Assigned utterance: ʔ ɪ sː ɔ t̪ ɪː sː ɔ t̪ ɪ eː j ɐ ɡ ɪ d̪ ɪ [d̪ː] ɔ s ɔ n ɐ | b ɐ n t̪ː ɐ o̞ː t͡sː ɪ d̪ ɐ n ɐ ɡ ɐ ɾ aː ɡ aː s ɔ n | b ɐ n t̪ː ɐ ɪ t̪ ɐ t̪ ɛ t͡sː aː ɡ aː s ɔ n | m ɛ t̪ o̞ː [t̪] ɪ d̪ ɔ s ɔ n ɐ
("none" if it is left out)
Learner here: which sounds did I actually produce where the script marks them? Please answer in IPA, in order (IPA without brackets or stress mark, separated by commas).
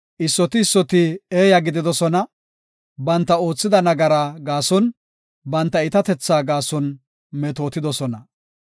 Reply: d̪, t̪